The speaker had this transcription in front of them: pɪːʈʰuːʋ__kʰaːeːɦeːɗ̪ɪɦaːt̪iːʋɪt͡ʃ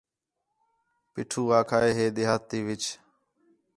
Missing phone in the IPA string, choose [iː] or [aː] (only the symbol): aː